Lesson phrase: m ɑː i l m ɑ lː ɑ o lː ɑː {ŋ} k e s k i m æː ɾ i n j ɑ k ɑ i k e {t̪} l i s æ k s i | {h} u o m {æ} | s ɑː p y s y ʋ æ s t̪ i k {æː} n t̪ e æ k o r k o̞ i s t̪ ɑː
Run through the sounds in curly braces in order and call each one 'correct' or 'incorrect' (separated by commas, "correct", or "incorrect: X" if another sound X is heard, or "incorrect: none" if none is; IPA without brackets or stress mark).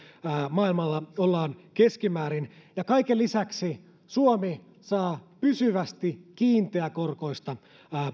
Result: incorrect: n, incorrect: none, incorrect: s, incorrect: i, incorrect: iː